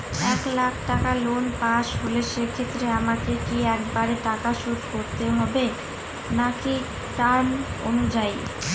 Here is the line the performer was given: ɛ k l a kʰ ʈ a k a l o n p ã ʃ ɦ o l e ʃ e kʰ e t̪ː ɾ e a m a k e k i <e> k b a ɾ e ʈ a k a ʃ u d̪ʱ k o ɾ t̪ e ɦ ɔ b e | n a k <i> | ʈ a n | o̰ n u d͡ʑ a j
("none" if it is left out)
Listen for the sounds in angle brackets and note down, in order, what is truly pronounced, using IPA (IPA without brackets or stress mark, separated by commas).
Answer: ɛ, i